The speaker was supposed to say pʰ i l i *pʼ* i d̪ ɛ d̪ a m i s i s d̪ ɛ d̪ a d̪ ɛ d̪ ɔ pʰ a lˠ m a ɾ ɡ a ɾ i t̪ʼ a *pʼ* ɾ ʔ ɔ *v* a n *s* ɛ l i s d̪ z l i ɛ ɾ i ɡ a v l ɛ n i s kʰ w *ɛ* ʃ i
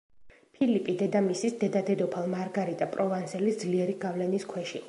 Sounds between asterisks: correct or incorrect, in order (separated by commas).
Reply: correct, correct, correct, correct, correct